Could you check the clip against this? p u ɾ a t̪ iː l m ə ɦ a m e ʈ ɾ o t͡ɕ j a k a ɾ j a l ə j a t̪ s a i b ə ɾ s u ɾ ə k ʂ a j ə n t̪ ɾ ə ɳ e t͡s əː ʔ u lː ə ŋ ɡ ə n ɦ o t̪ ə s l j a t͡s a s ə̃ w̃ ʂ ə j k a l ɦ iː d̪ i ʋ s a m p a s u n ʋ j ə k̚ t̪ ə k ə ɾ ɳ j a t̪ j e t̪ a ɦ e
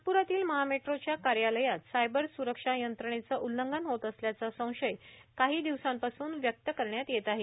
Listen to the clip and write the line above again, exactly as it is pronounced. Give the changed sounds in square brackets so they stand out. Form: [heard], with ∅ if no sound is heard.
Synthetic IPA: p u ɾ a t̪ iː l m ə ɦ a m e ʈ ɾ o t͡ɕ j a k a ɾ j a l ə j a t̪ s a [j] b ə ɾ s u ɾ ə k ʂ a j ə n t̪ ɾ ə ɳ e t͡s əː ʔ u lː ə ŋ ɡ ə n ɦ o t̪ ə s l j a t͡s a s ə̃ w̃ ʂ ə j k a [∅] ɦ iː d̪ i ʋ s a m p a s [uː] n ʋ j ə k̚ t̪ ə k ə ɾ ɳ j a t̪ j e t̪ a ɦ e